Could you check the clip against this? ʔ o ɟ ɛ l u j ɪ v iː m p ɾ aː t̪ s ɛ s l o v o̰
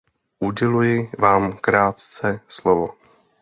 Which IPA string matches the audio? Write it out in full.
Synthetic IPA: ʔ u ɟ ɛ l u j ɪ v aː m k ɾ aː t̪ t͡s ɛ s l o v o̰